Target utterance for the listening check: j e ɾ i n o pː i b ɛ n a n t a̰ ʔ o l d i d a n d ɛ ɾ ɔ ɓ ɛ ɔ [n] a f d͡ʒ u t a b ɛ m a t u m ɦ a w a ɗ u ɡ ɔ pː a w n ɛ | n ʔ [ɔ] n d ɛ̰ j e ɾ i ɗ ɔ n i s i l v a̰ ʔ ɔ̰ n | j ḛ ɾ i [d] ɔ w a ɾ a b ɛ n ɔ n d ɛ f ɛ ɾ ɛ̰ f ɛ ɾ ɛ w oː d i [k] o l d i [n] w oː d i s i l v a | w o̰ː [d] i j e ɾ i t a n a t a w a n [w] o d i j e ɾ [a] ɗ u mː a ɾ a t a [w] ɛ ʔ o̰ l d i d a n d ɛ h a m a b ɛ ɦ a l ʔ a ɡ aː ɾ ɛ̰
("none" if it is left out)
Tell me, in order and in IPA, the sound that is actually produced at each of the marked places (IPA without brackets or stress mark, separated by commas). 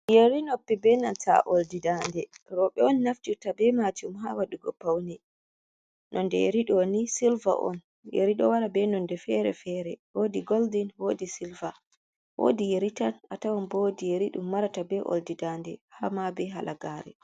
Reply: nː, ɔ, ɗ, ɡ, n, d, b, i, b